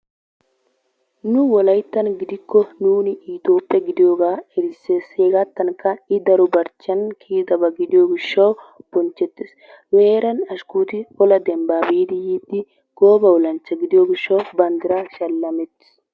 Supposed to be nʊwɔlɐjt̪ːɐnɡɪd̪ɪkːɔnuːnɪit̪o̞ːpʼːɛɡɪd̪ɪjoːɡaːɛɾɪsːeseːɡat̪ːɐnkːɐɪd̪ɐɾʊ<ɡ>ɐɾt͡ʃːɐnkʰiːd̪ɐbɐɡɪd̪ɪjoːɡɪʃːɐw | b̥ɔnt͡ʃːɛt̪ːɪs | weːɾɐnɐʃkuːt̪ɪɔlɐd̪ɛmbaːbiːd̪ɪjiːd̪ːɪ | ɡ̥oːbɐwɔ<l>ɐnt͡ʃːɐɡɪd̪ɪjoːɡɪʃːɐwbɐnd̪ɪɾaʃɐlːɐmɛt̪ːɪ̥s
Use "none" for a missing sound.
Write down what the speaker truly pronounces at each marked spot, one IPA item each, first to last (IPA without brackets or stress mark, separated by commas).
b, l